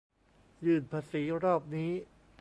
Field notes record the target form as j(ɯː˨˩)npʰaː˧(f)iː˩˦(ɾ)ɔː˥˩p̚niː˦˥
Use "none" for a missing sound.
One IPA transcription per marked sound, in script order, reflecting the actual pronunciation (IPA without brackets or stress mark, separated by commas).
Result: ɯː˨˩, s, ɾ